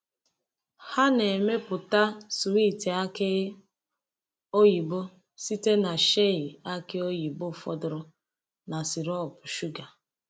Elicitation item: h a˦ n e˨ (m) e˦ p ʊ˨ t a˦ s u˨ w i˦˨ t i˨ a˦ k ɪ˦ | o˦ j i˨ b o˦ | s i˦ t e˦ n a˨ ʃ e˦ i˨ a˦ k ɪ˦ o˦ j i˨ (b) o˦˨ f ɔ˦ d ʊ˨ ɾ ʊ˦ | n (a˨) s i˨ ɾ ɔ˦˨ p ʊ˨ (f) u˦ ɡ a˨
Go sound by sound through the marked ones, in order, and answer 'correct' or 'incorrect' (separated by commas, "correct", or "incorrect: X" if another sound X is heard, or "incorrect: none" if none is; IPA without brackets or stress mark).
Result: correct, correct, correct, incorrect: ʃ